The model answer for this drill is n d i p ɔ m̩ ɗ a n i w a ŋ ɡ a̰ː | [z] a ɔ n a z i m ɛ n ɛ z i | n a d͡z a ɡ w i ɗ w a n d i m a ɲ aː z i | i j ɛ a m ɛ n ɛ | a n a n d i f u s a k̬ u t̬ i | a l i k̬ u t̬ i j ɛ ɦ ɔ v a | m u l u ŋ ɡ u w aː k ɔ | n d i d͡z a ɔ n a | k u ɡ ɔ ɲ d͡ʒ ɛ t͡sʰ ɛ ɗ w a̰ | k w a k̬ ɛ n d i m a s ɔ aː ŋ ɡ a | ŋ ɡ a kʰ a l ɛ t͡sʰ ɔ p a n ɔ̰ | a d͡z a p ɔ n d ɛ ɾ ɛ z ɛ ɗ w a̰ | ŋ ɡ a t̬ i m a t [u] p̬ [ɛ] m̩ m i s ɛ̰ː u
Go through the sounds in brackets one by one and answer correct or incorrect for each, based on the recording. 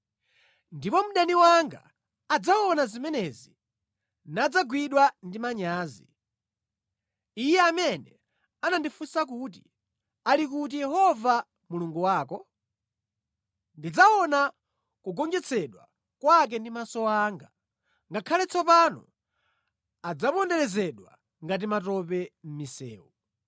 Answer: incorrect: d͡z, incorrect: ɔ, correct

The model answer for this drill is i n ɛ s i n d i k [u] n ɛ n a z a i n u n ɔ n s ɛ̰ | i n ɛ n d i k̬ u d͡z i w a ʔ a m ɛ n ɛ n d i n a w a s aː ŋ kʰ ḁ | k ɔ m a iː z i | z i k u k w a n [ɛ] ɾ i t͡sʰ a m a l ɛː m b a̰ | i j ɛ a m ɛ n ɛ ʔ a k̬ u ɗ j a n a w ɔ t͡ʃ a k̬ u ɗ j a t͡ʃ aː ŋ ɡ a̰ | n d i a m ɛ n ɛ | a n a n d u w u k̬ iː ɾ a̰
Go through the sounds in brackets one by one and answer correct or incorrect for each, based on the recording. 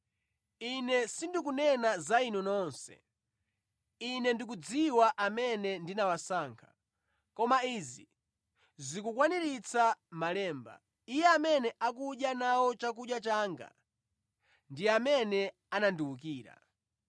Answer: correct, incorrect: i

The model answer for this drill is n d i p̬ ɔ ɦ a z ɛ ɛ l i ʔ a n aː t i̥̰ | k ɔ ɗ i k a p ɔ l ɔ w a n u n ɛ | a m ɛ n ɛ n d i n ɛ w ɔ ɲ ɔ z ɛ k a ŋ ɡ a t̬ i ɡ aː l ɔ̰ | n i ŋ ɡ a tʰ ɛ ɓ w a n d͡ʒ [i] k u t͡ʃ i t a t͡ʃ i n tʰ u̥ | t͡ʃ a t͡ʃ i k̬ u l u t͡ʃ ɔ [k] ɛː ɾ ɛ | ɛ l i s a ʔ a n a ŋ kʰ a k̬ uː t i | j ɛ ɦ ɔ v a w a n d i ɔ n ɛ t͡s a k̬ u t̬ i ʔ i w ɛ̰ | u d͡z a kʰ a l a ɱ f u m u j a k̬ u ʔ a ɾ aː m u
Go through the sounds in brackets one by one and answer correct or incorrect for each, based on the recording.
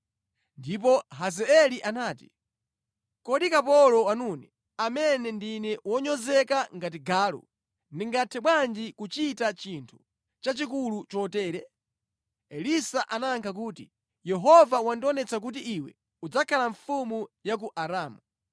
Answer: correct, incorrect: t

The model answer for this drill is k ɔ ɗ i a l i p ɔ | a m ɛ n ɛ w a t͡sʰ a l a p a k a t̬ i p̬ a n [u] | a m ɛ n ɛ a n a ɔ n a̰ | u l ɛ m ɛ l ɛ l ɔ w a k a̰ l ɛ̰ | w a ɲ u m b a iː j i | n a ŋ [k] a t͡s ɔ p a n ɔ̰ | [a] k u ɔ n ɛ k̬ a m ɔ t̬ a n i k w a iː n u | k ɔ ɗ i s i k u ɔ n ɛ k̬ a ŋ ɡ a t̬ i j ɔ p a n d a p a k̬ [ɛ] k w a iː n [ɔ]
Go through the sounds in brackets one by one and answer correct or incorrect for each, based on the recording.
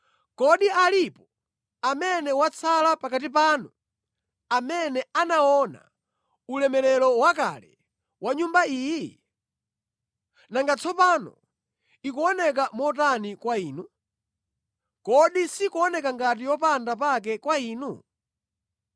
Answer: correct, incorrect: ɡ, incorrect: i, correct, incorrect: u

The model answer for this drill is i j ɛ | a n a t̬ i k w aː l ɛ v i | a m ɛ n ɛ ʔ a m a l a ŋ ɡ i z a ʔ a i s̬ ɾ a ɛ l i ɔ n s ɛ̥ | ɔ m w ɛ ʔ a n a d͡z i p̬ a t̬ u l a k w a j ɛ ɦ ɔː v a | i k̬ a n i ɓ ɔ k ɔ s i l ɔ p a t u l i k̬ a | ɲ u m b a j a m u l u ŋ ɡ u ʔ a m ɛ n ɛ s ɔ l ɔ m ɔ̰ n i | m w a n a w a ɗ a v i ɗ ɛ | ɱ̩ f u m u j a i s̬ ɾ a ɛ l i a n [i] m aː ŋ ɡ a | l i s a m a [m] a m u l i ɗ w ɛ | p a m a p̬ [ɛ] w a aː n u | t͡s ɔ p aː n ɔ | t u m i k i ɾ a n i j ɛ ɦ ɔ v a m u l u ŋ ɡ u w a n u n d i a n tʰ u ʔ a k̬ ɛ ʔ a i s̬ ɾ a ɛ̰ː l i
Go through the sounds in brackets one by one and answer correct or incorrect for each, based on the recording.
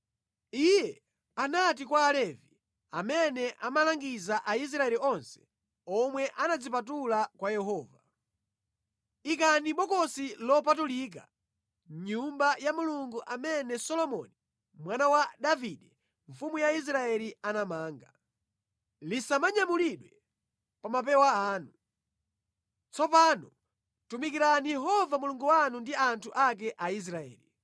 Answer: incorrect: a, incorrect: ɲ, correct

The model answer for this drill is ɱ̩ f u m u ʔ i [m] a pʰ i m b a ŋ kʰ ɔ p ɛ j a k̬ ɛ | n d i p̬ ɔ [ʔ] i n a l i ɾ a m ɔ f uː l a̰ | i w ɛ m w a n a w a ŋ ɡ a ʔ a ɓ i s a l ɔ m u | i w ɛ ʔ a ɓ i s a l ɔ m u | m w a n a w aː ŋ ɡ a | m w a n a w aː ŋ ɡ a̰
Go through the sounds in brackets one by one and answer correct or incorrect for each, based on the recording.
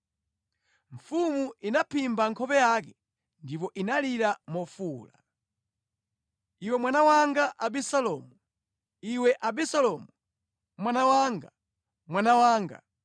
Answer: incorrect: n, correct

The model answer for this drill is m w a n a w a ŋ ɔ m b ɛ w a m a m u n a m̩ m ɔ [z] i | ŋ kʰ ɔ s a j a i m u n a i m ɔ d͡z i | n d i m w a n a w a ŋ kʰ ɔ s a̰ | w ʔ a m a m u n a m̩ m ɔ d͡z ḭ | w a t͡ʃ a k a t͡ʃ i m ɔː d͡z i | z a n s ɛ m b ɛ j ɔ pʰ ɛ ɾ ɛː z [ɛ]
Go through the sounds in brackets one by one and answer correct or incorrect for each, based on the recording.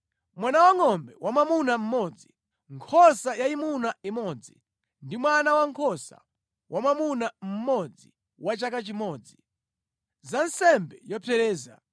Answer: incorrect: d͡z, incorrect: a

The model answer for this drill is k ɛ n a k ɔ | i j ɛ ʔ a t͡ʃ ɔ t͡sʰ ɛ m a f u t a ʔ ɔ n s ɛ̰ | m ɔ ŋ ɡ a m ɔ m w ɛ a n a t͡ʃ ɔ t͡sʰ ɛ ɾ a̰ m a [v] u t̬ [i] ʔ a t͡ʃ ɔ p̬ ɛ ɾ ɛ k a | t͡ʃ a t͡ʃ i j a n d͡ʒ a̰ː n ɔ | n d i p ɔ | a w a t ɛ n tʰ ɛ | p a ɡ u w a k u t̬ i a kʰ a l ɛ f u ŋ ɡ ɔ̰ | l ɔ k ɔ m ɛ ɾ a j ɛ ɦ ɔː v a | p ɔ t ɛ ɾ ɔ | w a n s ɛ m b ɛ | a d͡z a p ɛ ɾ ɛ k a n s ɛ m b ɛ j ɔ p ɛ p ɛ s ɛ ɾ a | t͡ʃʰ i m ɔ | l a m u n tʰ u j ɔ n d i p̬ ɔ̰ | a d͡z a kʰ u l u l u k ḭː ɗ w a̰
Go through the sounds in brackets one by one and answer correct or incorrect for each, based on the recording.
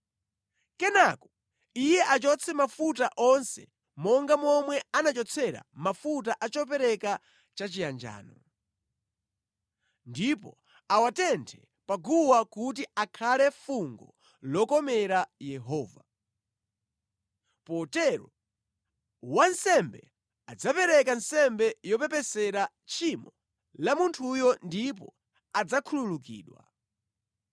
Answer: incorrect: f, incorrect: a

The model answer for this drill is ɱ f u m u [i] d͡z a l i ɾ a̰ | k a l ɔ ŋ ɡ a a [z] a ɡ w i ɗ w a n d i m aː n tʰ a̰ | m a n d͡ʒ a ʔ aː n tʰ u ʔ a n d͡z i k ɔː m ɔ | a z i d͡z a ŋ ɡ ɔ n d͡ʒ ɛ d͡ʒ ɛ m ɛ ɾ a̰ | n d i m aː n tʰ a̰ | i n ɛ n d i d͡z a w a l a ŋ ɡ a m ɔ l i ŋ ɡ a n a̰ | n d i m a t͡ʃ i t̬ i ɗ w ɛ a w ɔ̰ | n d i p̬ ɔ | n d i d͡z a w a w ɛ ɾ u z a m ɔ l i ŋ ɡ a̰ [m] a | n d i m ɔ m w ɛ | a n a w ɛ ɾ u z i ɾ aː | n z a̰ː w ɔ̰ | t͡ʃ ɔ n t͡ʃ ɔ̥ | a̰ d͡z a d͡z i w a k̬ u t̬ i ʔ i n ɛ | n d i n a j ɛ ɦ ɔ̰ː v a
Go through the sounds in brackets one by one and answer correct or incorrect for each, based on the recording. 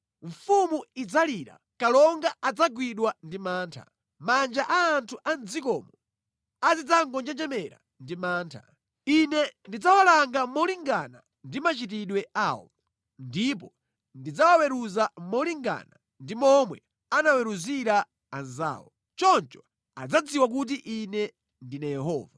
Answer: correct, incorrect: d͡z, incorrect: n

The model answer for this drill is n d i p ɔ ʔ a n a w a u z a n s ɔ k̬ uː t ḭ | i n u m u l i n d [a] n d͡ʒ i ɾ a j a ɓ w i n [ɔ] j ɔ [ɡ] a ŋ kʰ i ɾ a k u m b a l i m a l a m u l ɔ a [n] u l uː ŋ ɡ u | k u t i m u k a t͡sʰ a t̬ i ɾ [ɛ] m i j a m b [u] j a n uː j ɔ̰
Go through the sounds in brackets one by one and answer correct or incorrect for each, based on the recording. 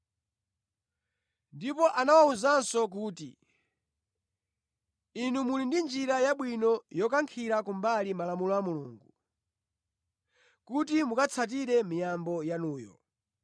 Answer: incorrect: i, correct, incorrect: k, incorrect: m, correct, incorrect: ɔ

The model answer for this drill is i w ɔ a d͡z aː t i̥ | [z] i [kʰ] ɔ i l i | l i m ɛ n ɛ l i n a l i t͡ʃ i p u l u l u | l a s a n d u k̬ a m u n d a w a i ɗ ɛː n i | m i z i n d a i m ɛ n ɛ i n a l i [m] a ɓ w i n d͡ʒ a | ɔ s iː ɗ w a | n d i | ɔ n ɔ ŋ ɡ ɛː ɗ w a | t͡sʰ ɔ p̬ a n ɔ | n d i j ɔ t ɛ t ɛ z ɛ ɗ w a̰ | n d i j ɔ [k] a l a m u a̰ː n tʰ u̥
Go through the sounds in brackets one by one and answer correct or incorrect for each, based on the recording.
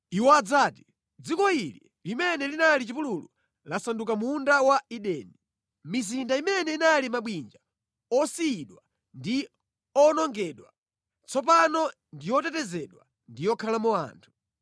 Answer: incorrect: d͡z, incorrect: k, correct, incorrect: kʰ

